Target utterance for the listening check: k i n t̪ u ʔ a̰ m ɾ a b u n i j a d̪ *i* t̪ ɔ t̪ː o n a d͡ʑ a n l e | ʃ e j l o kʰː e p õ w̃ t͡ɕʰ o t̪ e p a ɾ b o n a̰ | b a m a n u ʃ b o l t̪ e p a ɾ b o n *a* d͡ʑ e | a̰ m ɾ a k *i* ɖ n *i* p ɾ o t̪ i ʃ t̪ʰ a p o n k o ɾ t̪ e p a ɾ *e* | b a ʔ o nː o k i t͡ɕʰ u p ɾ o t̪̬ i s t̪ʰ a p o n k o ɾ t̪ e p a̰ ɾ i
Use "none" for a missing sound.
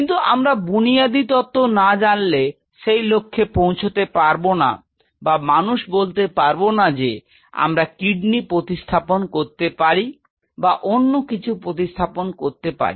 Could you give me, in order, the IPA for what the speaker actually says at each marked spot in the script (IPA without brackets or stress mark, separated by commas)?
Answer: i, a, i, i, i